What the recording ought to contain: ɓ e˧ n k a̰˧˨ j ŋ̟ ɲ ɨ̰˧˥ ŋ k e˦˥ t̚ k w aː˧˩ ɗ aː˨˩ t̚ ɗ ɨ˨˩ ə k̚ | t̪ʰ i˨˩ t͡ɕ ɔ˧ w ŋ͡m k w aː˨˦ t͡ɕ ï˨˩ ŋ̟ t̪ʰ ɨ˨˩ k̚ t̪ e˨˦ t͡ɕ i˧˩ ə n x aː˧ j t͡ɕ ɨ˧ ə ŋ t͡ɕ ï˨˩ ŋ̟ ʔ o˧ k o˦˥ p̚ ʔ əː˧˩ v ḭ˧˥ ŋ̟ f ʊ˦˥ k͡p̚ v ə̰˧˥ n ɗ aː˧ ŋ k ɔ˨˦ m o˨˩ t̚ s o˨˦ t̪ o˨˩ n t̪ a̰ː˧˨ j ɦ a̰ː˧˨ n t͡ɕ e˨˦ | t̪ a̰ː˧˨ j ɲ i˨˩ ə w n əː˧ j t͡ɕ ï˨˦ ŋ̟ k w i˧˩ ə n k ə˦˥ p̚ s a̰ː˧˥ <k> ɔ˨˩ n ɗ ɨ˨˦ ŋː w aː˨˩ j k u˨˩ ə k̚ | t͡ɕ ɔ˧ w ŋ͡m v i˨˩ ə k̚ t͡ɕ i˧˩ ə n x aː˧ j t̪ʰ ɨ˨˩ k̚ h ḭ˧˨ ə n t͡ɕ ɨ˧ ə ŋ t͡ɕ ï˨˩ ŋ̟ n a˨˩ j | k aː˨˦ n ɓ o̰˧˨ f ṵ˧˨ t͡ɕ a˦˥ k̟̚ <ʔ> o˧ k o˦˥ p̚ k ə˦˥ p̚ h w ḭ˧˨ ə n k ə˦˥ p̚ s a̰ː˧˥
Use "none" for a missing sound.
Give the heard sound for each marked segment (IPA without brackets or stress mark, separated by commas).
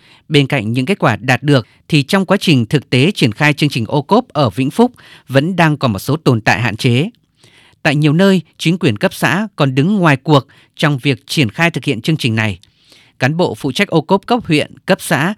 k, ʔ